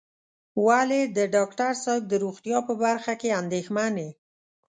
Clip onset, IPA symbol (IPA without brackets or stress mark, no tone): w